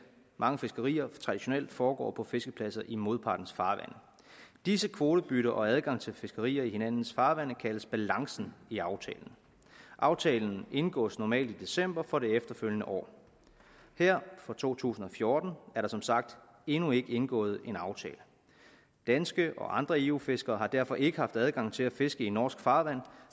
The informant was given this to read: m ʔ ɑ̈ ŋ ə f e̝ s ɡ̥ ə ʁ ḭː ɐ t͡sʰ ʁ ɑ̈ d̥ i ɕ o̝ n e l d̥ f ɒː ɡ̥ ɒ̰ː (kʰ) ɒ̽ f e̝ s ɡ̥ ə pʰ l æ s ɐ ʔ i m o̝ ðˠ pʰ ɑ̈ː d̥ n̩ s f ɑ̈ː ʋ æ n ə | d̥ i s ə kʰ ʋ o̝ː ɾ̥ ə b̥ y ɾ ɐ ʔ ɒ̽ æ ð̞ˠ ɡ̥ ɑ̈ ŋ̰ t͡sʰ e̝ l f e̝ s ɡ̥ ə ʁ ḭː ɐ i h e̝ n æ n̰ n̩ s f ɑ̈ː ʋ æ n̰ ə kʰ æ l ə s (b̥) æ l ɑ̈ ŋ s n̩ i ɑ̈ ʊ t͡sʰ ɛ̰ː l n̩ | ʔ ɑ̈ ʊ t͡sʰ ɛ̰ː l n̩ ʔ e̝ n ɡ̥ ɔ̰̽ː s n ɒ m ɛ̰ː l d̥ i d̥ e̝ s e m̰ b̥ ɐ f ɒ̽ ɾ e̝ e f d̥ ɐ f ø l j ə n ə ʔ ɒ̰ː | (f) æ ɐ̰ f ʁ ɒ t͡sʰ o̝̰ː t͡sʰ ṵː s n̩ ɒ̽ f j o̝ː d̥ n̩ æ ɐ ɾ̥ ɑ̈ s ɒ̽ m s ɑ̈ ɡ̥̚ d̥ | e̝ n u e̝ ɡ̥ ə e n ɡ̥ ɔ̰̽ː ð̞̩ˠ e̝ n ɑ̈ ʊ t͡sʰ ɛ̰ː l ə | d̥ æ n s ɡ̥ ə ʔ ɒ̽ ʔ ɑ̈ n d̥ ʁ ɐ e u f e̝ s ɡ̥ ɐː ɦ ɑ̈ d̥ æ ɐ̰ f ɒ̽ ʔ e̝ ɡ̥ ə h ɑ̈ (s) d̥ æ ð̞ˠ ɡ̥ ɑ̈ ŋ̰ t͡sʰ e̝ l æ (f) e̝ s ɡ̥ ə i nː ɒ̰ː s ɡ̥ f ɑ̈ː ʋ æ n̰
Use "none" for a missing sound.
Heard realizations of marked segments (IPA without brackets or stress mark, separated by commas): pʰ, b̥, h, f, f